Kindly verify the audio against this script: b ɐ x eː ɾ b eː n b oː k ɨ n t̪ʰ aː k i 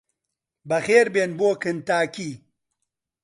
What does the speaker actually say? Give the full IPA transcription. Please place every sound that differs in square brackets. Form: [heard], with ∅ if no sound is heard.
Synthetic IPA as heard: b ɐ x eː ɾ b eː n b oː k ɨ n [t̪] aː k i